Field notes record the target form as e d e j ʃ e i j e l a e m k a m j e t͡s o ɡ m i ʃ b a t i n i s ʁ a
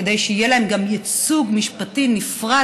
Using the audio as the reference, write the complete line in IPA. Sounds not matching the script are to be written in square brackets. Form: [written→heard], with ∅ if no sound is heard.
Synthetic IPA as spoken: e d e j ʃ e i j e l a e m [k→ɡ] a m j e t͡s [o→u] ɡ m i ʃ [b→p] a t i n i [s→f] ʁ a